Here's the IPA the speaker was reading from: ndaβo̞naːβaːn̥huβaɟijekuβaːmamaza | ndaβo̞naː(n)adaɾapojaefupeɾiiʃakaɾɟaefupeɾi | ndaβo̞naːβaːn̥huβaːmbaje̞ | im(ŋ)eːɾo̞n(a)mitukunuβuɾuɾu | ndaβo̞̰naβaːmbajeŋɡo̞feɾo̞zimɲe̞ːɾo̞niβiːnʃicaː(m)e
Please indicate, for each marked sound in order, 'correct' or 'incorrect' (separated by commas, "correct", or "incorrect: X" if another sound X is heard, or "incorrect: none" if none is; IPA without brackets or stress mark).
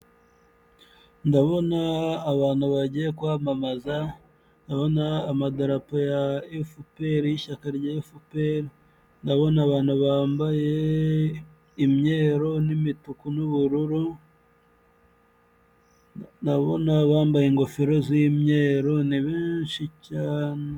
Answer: incorrect: m, incorrect: ɲ, incorrect: i, incorrect: n